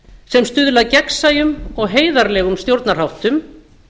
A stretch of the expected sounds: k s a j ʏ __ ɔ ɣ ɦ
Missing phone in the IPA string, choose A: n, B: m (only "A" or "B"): B